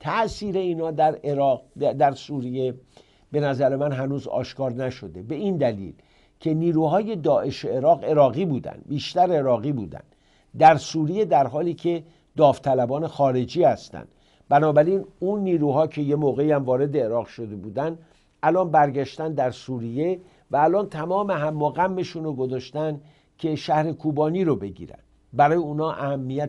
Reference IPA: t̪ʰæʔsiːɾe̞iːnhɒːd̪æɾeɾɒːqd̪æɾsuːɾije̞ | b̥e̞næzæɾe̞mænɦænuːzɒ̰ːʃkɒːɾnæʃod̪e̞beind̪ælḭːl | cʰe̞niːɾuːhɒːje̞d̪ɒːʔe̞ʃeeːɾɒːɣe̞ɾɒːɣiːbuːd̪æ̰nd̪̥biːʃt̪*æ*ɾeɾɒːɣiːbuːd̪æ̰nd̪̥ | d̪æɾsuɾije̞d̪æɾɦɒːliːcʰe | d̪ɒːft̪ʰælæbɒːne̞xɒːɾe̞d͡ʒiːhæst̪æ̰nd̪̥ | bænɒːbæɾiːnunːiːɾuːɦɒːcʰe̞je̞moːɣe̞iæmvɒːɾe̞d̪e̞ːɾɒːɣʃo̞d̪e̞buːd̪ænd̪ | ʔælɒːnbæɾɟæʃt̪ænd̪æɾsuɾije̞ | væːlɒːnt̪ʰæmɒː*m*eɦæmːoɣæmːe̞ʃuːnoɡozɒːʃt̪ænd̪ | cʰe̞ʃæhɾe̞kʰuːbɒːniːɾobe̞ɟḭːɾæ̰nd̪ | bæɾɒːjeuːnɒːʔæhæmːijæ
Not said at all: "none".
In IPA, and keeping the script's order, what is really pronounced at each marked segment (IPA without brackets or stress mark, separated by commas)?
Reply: æ, m